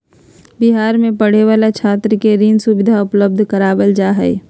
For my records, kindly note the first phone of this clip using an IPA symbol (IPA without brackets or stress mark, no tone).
b